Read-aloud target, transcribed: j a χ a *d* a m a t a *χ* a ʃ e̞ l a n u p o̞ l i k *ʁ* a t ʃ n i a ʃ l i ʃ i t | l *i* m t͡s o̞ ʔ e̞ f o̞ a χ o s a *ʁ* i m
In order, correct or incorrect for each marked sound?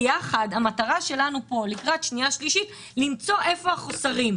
correct, incorrect: ʁ, correct, correct, correct

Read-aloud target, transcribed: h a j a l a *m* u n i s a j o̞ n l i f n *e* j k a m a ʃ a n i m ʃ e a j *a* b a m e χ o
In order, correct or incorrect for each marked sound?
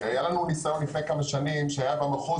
incorrect: n, correct, correct

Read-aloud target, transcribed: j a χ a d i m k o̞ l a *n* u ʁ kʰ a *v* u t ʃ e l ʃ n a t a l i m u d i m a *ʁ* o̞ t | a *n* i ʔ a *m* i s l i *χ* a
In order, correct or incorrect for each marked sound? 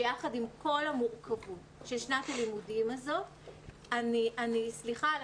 incorrect: m, correct, incorrect: z, correct, incorrect: n, correct

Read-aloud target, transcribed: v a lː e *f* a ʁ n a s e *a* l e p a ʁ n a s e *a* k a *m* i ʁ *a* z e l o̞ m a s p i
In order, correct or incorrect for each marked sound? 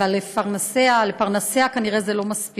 correct, correct, correct, incorrect: n, incorrect: e

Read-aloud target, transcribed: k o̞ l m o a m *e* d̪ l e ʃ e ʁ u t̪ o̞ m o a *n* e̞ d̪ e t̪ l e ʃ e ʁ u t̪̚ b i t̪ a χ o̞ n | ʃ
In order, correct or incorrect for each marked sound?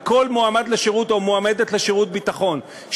incorrect: a, incorrect: m

